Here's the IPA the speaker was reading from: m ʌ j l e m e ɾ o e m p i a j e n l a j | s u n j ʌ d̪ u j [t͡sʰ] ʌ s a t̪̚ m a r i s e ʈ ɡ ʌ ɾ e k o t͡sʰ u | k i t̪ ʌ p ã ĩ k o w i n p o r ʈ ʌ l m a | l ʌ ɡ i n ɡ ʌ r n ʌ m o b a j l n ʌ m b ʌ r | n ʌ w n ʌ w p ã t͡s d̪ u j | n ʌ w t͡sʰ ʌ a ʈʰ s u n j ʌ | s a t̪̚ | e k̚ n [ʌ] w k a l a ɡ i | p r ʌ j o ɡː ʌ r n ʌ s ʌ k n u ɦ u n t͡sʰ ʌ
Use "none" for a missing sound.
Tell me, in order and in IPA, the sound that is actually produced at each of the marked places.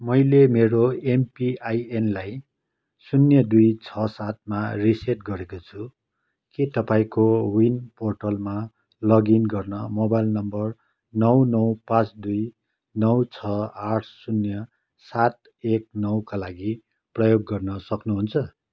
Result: t͡sʰ, ʌ

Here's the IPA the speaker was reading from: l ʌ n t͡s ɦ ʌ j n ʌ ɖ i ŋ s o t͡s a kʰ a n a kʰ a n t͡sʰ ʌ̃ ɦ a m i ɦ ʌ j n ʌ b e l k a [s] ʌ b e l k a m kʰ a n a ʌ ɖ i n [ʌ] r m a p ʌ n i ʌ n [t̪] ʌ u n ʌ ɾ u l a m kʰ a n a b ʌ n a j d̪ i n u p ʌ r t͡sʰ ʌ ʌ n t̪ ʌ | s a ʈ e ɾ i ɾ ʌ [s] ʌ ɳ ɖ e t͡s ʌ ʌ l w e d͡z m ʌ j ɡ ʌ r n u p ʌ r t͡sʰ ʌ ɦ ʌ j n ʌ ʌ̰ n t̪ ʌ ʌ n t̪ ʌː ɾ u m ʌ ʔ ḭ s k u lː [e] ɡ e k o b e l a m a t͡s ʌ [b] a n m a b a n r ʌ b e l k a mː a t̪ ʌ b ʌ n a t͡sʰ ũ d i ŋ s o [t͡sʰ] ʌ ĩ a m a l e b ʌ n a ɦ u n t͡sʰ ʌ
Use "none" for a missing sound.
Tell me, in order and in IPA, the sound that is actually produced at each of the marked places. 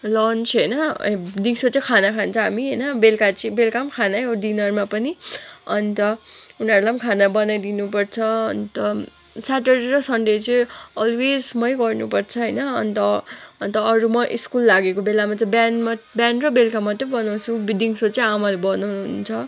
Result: t͡s, ʌ, t̪, s, a, b, t͡s

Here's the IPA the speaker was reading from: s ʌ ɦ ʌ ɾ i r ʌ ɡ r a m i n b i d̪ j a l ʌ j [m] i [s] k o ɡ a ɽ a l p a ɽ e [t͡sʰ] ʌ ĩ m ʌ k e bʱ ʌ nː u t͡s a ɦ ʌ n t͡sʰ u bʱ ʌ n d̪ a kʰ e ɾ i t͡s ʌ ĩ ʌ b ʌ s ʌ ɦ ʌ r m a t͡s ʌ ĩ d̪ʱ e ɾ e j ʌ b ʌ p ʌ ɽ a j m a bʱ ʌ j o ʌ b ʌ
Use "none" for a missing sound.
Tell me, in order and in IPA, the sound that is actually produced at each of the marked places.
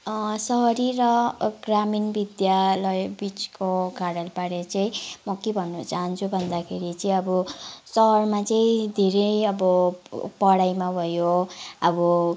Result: b, t͡s, t͡s

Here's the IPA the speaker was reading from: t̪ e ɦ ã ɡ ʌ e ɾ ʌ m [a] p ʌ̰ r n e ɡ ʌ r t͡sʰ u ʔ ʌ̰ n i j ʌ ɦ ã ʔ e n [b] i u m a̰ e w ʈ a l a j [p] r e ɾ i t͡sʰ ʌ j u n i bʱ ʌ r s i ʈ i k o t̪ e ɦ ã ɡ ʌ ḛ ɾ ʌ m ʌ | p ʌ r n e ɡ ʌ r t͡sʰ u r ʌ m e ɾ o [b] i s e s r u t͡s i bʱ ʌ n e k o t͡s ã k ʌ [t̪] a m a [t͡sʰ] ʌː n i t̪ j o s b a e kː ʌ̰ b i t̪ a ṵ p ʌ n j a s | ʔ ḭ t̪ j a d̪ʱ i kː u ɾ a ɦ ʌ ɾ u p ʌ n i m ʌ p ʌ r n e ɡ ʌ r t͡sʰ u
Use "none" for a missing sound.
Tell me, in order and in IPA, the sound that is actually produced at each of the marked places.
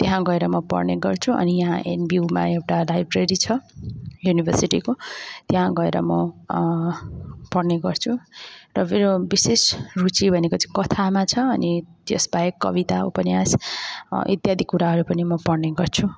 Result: ʌ, b, b, b, t̪ʰ, t͡sʰ

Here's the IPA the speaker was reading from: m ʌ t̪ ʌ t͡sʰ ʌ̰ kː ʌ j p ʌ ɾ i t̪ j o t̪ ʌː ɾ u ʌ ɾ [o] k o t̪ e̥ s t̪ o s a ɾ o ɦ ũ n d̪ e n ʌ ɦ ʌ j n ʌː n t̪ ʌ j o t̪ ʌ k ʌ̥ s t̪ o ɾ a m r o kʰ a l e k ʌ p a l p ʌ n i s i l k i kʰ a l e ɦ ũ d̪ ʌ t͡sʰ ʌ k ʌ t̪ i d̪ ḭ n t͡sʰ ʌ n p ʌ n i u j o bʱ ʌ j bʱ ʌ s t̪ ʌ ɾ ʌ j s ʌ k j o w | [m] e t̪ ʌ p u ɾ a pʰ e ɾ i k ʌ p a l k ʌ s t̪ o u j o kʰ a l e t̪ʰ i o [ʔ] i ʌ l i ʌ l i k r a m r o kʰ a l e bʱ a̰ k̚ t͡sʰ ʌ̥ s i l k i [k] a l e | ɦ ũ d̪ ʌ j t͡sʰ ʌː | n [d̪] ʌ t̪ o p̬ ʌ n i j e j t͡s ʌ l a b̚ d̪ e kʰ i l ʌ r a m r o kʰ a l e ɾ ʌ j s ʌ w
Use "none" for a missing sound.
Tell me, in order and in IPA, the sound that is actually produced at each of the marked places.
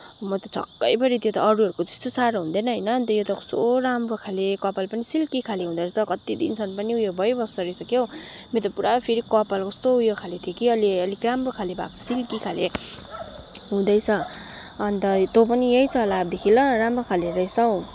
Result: u, m, k, kʰ, t̪

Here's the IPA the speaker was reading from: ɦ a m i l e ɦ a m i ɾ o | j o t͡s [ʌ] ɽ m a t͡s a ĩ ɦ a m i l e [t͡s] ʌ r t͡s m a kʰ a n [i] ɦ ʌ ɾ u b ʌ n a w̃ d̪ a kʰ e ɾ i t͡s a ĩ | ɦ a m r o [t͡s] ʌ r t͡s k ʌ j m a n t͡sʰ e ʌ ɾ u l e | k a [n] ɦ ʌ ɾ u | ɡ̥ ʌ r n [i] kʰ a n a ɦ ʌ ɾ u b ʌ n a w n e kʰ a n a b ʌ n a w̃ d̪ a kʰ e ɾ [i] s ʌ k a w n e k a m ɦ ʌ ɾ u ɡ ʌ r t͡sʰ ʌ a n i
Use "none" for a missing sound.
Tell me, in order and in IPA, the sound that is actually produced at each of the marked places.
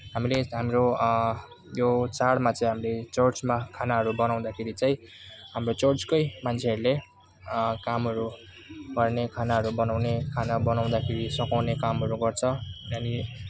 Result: a, t͡s, a, t͡s, m, e, i

